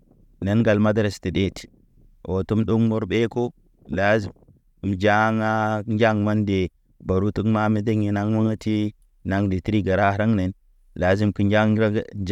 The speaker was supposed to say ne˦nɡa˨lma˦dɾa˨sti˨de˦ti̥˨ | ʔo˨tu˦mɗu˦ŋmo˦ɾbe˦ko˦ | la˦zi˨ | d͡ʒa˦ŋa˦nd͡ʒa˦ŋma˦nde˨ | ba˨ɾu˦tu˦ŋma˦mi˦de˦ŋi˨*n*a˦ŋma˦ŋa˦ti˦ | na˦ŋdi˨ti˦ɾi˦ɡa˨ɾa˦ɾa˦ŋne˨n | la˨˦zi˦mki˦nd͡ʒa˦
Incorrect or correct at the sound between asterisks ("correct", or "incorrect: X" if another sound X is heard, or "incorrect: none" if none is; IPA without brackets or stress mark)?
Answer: correct